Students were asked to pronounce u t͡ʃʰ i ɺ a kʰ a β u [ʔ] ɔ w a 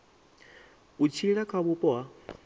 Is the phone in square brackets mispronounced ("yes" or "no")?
yes